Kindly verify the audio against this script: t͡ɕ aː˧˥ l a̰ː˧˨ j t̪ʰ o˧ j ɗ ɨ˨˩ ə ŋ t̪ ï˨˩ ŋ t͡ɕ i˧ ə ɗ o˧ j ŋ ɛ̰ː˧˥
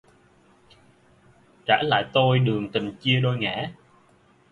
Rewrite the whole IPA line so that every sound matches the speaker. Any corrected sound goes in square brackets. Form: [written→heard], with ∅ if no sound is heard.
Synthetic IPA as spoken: t͡ɕ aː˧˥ l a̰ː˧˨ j [t̪ʰ→t̪] o˧ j ɗ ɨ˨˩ ə ŋ t̪ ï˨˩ ŋ t͡ɕ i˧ ə ɗ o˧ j ŋ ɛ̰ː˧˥